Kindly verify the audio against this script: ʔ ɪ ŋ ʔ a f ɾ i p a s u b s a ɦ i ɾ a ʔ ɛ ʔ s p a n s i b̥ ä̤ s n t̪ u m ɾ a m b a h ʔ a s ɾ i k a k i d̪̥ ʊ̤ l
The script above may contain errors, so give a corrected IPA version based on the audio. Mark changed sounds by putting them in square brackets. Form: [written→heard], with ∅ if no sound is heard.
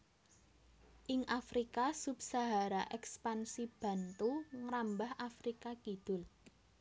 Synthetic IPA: ʔ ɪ ŋ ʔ a f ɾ i [p→k] a s u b s a ɦ [i→a] ɾ a ʔ ɛ [ʔ→k] s p a n s i b̥ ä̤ [s→∅] n t̪ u [m→ŋ] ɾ a m b a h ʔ a [s→f] ɾ i k a k i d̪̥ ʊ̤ l